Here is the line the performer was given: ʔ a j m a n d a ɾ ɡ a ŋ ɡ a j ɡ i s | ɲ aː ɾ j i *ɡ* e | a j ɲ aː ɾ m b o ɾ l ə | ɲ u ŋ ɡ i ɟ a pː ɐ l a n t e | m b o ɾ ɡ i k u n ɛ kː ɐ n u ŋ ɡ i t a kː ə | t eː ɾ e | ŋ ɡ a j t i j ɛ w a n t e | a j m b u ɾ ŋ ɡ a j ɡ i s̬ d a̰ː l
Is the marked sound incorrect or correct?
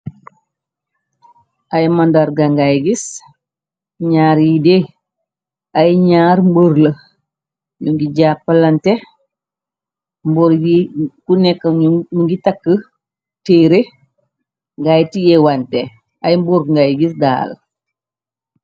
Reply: incorrect: d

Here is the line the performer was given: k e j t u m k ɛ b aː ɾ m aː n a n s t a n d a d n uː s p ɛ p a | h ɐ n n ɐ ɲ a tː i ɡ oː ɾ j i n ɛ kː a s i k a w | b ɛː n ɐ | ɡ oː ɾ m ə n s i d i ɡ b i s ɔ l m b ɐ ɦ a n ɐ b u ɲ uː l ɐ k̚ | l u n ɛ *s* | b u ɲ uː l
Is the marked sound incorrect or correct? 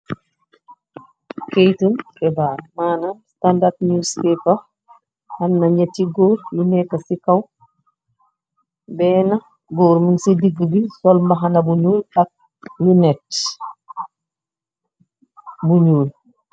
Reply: incorrect: t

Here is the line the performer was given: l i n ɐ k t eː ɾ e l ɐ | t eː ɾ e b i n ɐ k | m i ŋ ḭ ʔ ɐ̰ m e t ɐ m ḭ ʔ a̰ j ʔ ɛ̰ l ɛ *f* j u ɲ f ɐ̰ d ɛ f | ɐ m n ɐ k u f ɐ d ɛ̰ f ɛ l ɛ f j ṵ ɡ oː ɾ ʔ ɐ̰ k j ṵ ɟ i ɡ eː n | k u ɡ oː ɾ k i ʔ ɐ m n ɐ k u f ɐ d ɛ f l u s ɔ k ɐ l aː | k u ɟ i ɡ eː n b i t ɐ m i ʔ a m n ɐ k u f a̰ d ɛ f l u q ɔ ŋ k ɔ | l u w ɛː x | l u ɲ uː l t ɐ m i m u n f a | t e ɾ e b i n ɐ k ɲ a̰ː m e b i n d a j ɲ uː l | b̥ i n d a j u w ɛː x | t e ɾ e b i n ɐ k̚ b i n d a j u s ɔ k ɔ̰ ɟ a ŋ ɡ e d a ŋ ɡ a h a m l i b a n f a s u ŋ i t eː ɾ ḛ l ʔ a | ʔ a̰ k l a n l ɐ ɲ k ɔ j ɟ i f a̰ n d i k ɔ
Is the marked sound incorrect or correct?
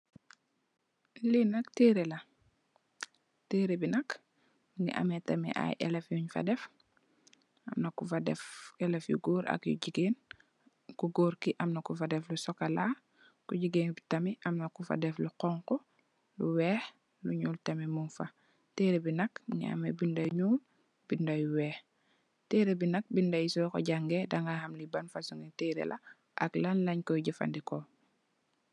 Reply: correct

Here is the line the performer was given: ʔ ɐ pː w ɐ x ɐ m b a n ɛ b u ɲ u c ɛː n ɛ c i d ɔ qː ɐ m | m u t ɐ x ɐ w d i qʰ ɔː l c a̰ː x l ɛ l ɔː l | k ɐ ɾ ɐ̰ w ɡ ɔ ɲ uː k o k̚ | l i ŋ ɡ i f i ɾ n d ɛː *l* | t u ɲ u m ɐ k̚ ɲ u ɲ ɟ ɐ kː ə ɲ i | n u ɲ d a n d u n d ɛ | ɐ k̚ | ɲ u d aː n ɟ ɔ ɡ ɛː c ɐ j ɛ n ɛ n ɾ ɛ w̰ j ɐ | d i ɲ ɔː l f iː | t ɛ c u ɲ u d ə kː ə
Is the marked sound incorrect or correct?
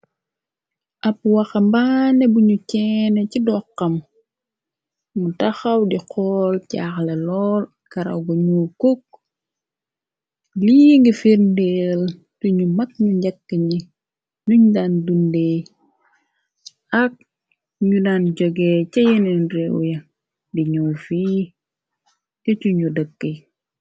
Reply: correct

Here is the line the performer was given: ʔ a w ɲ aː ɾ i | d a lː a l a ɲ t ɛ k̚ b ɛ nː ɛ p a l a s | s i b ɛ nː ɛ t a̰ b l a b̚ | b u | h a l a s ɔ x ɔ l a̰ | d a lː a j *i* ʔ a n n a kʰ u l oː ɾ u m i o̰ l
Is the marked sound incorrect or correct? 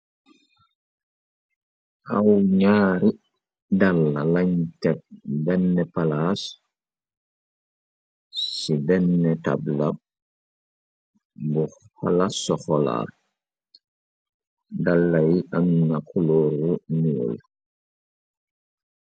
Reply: correct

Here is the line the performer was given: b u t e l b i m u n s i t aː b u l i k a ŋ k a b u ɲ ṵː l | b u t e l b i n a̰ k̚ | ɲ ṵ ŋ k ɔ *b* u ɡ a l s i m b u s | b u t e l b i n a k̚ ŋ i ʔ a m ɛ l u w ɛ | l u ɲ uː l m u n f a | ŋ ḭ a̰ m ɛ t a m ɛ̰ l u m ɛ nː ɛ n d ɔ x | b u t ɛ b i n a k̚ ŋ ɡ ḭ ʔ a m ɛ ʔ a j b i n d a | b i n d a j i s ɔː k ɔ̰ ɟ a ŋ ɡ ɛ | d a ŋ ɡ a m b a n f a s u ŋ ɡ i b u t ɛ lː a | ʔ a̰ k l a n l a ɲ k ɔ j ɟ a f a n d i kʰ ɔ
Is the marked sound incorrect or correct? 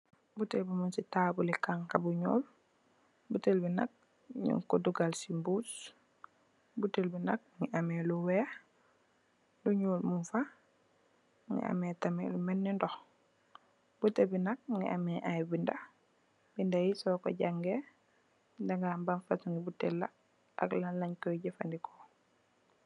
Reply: incorrect: d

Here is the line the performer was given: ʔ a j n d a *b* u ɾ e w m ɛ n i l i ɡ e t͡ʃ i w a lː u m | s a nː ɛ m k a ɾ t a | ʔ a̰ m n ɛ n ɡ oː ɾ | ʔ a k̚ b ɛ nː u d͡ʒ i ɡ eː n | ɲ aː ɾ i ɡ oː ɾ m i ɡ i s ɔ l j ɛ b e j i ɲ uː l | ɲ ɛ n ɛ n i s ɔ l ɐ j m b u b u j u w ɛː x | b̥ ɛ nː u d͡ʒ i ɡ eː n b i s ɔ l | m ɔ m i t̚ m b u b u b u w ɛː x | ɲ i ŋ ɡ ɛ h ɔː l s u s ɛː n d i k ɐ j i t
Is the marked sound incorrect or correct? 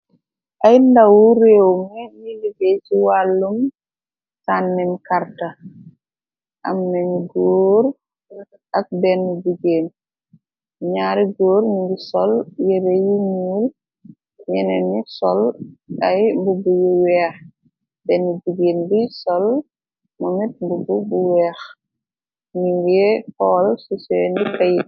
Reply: incorrect: w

